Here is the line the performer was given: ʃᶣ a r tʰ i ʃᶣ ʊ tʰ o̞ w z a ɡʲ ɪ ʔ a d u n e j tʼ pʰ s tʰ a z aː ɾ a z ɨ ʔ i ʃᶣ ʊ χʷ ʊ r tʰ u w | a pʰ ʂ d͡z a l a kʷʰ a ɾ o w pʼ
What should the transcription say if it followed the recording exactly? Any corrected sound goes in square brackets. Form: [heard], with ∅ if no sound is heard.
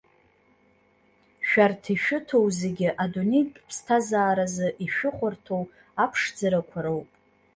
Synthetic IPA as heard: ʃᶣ a r tʰ i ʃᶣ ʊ tʰ o̞ w z [e] ɡʲ ɪ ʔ a d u n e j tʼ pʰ s tʰ a z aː ɾ a z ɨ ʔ i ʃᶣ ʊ χʷ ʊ r tʰ [o] w | a pʰ ʂ d͡z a [ɾ] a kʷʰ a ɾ o w pʼ